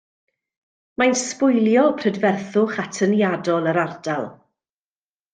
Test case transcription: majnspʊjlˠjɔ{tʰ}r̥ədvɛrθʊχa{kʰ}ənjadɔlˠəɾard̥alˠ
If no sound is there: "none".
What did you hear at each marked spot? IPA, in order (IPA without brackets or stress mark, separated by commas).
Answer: pʰ, tʰ